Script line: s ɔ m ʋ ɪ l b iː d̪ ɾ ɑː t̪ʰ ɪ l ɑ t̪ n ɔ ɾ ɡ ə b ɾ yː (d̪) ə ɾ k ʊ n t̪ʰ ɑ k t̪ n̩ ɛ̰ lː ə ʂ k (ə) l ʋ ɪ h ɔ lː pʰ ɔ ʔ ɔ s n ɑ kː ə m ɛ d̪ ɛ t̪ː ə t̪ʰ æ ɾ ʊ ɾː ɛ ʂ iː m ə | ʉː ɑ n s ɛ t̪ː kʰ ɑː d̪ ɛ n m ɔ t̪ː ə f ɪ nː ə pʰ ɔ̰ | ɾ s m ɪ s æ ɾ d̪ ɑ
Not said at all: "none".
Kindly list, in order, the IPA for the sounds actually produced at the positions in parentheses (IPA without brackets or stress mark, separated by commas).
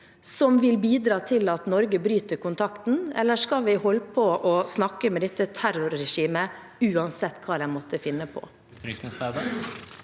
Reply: t̪, ɑ